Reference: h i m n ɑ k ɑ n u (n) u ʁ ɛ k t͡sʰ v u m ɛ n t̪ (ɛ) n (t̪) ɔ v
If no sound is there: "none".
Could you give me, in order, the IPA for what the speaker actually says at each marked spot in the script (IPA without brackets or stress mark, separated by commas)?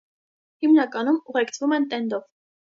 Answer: m, ɛ, d̪